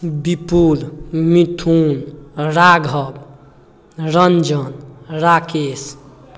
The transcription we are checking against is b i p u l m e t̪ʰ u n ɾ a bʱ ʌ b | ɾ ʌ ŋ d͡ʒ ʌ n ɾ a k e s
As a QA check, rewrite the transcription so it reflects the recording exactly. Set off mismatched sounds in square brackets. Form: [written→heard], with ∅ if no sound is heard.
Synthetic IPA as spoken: b i p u l m [e→i] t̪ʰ u n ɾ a [bʱ→ɡʱ] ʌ b | ɾ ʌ [ŋ→n] d͡ʒ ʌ n ɾ a k e s